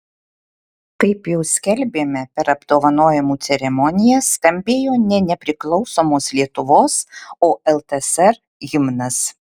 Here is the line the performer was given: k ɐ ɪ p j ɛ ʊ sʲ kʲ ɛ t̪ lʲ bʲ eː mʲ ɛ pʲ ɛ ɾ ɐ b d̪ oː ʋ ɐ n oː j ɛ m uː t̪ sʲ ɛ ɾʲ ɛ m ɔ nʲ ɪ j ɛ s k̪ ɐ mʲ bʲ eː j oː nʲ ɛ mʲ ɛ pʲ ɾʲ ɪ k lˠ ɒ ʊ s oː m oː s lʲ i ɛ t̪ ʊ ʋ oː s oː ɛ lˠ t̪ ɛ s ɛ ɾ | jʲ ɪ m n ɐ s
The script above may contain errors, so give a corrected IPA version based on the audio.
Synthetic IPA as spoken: k ɐ ɪ p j ɛ ʊ sʲ kʲ ɛ lʲ bʲ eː mʲ ɛ pʲ ɛ ɾ ɐ b d̪ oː ʋ ɐ n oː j ɛ m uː t̪ sʲ ɛ ɾʲ ɛ m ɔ nʲ ɪ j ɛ s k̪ ɐ mʲ bʲ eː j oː nʲ ɛ nʲ ɛ pʲ ɾʲ ɪ k lˠ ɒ ʊ s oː m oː s lʲ i ɛ t̪ ʊ ʋ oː s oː ɛ lˠ t̪ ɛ s ɛ ɾ | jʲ ɪ m n ɐ s